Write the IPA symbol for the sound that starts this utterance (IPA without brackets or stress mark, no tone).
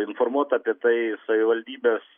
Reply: ɪ